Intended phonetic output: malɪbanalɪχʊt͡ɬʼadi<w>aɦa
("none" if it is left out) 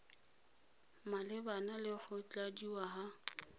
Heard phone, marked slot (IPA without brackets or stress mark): w